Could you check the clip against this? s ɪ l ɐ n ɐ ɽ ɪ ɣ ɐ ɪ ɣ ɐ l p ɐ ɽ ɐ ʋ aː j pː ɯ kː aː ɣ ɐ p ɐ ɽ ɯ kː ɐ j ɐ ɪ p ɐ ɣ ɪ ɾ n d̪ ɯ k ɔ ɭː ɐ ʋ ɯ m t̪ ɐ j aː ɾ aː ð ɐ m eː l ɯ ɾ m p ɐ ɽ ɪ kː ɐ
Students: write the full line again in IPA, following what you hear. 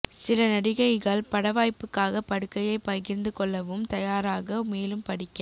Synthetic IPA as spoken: s ɪ l ɐ n ɐ ɽ ɪ ɣ ɐ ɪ ɣ ɐ ɭ p ɐ ɽ ɐ ʋ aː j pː ɯ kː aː ɣ ɐ p ɐ ɽ ɯ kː ɐ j ɐ ɪ p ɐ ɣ ɪ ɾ n d̪ ɯ k ɔ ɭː ɐ ʋ ɯ m t̪ ɐ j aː ɾ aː ɣ ɐ m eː l ɯ m p ɐ ɽ ɪ kː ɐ